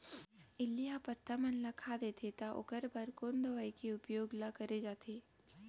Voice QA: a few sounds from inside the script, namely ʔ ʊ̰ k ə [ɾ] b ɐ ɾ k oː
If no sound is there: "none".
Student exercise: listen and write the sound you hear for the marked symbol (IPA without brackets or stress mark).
ɾ